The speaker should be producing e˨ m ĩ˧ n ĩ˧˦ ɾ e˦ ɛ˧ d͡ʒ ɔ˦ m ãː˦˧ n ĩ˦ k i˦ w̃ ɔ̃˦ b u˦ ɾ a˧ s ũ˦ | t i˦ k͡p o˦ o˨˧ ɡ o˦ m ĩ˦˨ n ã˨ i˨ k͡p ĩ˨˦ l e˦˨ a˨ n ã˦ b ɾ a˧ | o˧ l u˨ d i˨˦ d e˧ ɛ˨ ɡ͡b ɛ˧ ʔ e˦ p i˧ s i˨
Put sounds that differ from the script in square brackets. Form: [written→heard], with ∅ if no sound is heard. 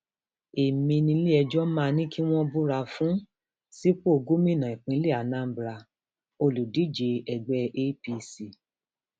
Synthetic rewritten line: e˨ m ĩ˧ n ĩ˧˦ [ɾ→l] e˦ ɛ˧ d͡ʒ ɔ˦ m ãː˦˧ n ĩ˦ k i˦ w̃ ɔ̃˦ b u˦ ɾ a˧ [s→f] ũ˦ | [t→s] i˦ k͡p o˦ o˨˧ ɡ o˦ m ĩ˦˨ n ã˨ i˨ k͡p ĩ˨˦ l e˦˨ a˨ n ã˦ b ɾ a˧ | o˧ l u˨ d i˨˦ [d→d͡ʒ] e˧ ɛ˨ ɡ͡b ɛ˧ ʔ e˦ p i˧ s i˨